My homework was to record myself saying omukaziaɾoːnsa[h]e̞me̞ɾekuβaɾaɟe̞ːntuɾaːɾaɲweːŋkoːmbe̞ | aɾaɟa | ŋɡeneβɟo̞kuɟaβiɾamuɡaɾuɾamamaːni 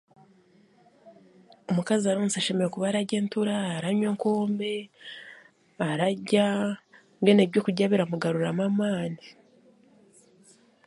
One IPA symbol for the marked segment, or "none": ʃ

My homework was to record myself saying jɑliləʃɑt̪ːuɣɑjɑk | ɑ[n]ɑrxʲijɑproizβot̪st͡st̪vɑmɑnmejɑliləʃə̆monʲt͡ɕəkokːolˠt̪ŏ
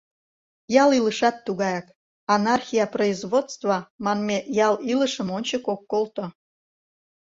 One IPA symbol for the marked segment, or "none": n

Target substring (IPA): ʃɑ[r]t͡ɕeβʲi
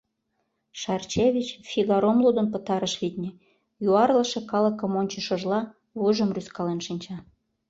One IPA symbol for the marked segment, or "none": r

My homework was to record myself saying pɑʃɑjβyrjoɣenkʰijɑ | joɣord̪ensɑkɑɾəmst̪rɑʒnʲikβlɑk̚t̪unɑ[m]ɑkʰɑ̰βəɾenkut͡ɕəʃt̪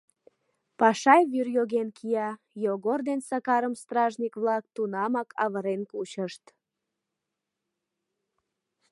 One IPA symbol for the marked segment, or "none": m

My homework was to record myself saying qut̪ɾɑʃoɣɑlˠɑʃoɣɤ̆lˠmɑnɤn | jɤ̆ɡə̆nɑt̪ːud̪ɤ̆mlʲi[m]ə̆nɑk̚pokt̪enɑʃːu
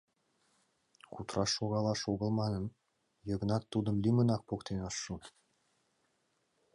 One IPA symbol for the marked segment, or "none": m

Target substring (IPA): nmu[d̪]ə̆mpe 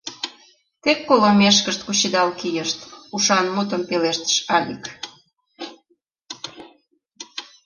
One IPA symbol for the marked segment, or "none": t̪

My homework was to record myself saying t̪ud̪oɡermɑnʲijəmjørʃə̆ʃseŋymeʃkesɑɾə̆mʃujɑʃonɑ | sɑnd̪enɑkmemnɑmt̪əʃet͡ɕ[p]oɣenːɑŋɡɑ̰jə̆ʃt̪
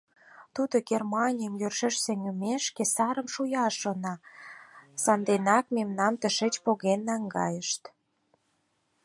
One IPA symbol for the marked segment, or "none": p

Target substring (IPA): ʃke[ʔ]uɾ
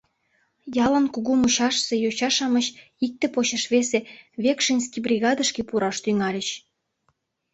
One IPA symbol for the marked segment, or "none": p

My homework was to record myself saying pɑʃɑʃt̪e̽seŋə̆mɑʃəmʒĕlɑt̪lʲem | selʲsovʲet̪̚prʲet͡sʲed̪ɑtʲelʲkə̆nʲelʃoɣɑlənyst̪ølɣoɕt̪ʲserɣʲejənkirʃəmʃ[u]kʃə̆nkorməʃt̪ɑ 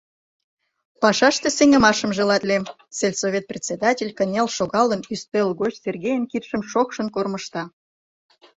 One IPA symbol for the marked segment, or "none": o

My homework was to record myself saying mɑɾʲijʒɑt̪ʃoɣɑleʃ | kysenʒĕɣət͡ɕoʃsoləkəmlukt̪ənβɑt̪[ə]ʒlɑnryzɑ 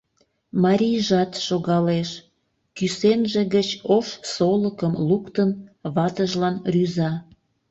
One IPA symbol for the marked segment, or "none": ə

